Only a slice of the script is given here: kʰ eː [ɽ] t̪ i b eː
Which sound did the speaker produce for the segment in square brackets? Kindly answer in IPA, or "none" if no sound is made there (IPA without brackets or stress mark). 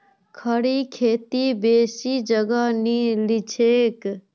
none